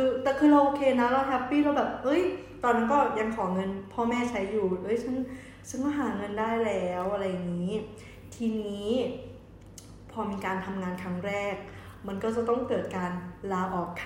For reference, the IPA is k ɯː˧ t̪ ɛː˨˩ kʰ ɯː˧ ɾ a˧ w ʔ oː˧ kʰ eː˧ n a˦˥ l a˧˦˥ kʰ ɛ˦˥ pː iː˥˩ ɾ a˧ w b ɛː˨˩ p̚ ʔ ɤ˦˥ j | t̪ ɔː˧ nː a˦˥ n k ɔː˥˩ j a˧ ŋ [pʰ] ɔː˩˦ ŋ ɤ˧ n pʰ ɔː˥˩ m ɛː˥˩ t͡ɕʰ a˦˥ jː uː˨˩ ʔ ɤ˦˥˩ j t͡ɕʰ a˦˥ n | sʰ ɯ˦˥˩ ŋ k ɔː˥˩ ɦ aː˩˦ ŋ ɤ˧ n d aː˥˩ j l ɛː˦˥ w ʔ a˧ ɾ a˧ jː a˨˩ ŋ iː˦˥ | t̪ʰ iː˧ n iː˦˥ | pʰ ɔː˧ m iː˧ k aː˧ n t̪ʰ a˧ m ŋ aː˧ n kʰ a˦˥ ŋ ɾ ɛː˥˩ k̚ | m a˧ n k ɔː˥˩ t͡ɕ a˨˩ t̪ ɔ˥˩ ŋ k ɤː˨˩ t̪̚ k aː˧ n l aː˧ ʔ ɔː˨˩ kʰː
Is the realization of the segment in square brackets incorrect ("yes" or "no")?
yes